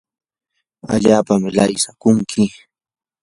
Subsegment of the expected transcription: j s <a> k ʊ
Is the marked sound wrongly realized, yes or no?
no